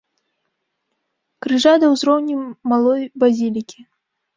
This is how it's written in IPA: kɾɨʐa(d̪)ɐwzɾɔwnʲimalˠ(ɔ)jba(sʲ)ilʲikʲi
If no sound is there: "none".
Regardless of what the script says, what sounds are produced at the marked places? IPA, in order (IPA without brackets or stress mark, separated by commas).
d̪, ɔ, zʲ